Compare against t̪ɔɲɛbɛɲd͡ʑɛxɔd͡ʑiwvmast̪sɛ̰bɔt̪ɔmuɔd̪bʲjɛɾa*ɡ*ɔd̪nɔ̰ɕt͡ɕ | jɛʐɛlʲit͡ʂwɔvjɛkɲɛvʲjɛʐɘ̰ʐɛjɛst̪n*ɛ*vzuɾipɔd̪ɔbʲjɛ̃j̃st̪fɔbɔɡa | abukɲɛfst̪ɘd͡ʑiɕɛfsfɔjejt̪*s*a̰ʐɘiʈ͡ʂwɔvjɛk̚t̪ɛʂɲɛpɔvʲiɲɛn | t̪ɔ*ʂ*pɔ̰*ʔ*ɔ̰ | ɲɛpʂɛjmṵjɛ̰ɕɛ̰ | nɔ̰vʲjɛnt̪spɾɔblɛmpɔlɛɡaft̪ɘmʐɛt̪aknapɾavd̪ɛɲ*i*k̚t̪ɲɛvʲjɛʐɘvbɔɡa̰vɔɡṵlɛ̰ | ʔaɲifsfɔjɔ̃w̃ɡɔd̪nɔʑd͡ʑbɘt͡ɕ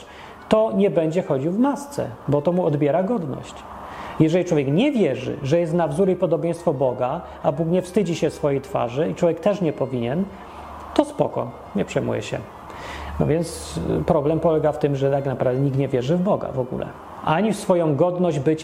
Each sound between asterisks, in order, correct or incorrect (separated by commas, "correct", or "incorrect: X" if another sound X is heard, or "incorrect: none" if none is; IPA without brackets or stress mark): correct, incorrect: a, incorrect: f, incorrect: s, incorrect: k, correct